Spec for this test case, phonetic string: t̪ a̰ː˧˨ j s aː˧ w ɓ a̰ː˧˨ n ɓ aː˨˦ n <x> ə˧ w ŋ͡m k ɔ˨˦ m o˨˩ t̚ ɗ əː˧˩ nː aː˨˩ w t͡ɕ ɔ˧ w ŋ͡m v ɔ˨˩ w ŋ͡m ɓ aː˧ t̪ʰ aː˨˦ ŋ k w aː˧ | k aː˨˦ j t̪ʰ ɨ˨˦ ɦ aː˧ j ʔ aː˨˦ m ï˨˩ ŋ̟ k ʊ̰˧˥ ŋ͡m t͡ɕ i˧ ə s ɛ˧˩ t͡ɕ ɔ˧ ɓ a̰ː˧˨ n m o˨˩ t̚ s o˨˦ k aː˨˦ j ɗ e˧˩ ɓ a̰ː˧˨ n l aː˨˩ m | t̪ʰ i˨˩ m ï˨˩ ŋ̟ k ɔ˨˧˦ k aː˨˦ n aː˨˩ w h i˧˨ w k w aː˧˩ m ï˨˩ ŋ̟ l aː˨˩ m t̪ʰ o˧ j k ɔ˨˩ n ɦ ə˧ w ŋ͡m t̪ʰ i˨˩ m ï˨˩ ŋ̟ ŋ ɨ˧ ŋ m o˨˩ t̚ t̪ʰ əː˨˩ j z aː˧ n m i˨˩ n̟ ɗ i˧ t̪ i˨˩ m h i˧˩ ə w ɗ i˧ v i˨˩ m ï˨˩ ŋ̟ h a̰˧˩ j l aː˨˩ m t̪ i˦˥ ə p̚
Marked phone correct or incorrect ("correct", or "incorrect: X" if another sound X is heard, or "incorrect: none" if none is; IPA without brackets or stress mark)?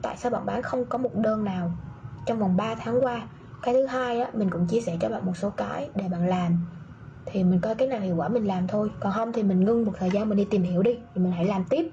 correct